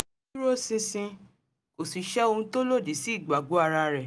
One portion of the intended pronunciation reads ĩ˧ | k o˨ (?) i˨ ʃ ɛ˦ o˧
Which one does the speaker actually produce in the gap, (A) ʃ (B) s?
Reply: B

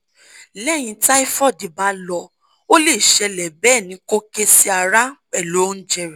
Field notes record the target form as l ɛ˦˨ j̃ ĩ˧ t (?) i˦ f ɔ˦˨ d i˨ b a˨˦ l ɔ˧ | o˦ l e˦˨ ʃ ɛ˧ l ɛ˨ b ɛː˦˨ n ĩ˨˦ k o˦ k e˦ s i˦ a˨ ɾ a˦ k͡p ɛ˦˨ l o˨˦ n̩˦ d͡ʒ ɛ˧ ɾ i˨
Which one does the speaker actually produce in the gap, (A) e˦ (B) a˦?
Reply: B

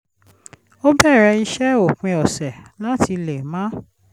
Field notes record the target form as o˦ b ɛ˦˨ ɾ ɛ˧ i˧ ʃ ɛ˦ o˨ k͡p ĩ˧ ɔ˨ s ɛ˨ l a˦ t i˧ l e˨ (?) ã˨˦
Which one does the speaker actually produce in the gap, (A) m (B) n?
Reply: A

